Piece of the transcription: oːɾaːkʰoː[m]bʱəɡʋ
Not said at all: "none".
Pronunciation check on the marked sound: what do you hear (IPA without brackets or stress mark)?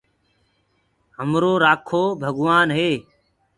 none